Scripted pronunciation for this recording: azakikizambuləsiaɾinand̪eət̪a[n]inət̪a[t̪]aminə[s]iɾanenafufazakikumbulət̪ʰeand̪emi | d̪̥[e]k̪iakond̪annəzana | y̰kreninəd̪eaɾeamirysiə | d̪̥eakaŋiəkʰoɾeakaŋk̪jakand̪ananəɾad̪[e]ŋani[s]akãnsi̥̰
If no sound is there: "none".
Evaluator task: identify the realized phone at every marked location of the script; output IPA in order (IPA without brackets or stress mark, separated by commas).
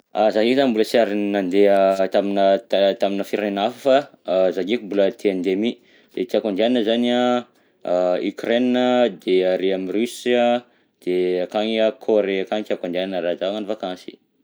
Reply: m, t̪, f, e, a, f